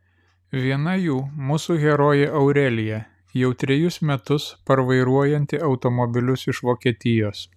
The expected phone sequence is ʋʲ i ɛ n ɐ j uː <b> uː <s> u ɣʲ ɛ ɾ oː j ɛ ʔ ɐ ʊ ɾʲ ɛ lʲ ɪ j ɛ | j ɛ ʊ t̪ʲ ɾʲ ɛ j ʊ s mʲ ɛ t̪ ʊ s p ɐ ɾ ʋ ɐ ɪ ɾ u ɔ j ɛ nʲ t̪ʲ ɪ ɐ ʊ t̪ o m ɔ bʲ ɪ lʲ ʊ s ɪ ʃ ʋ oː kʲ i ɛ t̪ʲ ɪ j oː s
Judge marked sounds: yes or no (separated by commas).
no, yes